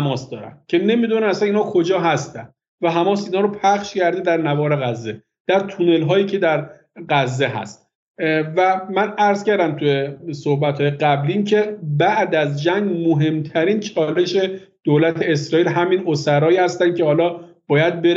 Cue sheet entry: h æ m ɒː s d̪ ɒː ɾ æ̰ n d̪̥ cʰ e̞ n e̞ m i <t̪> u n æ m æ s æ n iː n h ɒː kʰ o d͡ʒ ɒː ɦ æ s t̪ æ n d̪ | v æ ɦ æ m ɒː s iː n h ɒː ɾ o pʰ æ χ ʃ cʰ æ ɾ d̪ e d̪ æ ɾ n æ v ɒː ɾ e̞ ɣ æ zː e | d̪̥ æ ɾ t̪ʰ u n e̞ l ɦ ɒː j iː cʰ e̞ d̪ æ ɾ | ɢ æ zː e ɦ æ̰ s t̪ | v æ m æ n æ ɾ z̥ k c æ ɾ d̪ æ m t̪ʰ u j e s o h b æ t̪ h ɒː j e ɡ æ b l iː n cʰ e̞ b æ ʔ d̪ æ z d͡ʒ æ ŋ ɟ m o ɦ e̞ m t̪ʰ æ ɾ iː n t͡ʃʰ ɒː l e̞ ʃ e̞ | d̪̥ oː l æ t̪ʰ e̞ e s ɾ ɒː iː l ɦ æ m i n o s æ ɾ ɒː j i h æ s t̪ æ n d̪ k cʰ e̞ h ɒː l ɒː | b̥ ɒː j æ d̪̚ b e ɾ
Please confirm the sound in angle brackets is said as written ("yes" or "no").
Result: no